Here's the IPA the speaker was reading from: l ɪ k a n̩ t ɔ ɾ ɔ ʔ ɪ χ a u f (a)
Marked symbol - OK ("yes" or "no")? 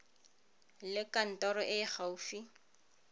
no